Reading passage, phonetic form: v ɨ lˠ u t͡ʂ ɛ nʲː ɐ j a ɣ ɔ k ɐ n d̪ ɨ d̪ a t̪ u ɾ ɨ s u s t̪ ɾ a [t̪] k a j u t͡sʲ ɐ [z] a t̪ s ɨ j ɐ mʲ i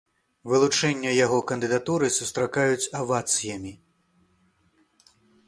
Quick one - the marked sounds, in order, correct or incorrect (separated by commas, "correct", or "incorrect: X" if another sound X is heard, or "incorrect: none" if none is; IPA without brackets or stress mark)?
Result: incorrect: none, incorrect: v